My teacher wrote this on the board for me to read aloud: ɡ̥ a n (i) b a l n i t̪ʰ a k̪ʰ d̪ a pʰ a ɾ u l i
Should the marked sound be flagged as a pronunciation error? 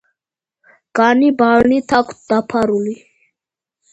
no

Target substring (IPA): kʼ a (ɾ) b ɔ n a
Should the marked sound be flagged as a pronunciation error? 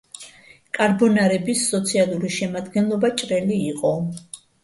no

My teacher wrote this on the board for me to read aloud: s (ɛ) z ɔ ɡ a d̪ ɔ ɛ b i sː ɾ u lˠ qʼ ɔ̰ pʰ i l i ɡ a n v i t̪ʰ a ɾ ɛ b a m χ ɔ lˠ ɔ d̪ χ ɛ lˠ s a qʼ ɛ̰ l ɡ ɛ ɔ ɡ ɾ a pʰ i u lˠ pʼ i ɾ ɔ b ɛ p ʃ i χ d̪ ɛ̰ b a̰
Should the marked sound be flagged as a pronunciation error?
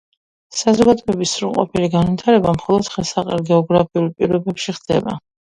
yes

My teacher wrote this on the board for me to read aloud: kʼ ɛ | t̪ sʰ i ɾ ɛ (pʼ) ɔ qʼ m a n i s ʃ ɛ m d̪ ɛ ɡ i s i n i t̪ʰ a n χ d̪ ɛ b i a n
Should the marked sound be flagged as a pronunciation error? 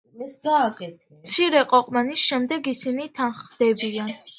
yes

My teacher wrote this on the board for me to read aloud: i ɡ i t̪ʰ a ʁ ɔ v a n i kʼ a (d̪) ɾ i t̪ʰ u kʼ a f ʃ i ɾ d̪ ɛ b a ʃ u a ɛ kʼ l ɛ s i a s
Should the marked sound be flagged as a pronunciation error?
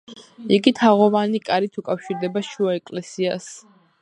yes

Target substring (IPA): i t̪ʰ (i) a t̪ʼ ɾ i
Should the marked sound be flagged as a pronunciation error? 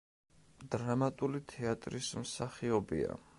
yes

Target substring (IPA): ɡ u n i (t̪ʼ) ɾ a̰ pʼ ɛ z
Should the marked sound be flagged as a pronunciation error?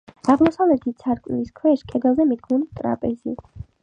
no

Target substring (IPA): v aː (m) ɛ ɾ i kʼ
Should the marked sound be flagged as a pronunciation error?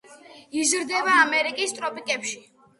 no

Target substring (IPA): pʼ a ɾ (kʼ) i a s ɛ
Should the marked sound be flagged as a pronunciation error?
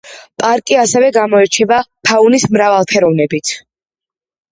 no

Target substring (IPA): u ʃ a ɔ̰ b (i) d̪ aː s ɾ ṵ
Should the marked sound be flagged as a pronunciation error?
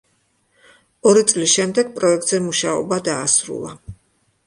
yes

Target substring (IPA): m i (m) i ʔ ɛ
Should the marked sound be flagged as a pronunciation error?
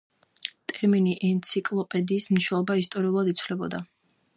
yes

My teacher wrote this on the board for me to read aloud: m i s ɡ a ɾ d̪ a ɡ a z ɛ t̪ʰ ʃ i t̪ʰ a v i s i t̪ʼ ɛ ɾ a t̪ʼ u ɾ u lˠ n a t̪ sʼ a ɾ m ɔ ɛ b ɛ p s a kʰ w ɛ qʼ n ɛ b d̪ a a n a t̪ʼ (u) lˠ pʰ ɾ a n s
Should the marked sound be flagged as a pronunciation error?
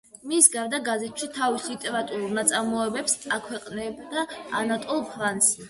yes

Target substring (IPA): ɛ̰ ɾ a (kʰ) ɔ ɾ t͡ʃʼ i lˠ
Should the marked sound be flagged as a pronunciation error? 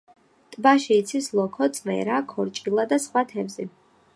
no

